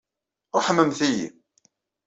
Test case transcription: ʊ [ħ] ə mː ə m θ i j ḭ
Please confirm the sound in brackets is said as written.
yes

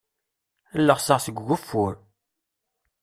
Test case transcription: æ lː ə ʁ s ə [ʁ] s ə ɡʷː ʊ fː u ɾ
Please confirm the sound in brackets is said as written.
yes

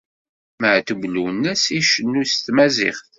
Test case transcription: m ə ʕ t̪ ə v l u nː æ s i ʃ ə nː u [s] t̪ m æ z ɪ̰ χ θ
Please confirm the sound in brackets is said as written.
yes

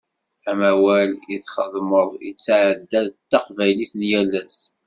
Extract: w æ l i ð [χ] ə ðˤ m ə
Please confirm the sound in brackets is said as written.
yes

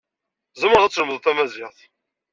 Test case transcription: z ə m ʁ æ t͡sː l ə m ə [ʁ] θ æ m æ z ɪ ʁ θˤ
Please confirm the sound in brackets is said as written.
no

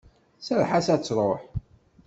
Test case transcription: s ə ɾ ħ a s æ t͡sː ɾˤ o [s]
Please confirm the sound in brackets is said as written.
no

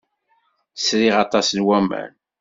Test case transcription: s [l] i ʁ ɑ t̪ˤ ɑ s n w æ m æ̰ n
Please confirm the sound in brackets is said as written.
no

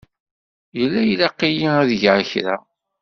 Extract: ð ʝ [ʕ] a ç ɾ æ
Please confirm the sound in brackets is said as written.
yes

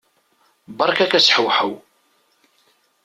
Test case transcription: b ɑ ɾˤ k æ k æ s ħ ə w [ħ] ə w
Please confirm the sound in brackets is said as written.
yes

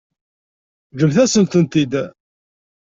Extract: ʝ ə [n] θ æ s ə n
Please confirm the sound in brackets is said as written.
no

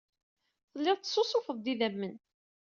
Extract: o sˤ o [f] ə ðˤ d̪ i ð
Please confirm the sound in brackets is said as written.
yes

